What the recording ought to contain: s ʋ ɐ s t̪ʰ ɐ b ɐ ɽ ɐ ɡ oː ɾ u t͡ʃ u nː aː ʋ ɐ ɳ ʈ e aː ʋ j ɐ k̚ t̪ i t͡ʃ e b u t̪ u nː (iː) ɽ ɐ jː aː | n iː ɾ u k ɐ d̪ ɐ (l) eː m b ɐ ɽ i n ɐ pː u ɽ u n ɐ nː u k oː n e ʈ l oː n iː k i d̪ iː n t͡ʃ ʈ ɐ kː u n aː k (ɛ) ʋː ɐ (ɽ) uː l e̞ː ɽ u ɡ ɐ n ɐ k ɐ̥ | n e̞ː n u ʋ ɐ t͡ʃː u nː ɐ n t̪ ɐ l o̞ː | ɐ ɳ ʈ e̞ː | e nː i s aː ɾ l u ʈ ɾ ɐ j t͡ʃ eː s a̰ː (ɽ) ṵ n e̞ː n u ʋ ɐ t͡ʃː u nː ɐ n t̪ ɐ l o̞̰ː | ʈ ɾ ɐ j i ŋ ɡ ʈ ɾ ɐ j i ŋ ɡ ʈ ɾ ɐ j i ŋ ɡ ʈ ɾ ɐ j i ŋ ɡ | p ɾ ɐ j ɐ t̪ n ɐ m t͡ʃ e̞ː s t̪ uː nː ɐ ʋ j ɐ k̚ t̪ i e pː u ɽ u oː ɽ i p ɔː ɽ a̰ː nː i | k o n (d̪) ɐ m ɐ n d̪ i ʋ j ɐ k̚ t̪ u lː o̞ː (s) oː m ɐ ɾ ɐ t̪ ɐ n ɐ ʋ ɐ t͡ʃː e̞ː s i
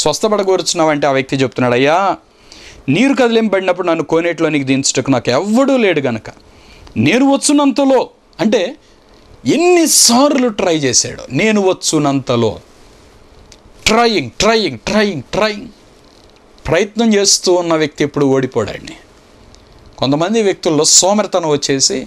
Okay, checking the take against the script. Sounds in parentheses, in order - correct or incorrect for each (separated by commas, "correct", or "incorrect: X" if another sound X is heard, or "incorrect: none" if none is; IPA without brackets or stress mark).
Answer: incorrect: aː, correct, correct, correct, correct, incorrect: t̪, correct